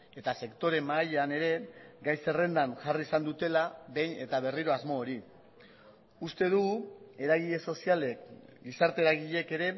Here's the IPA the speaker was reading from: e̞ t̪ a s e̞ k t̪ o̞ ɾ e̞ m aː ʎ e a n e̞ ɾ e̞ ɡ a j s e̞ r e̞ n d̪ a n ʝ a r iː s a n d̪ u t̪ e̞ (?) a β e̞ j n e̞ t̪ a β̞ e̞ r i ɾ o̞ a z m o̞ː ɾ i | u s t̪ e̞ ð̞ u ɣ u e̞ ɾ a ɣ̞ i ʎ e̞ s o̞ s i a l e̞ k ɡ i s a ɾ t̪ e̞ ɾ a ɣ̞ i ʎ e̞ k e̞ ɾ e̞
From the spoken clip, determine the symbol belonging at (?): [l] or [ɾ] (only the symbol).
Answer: l